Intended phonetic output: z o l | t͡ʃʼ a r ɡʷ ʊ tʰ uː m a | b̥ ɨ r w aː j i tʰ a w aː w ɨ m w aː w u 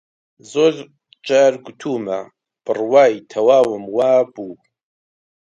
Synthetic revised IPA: z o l | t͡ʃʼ a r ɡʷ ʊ tʰ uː m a | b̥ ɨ r w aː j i tʰ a w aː w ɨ m w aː b u